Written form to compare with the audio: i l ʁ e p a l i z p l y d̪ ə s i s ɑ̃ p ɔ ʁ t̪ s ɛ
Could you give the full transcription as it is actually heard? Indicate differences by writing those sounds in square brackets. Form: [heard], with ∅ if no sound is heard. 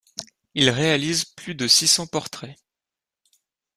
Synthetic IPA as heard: i l ʁ e [∅] a l i z p l y d̪ ə s i s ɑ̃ p ɔ ʁ t̪ [χ] ɛ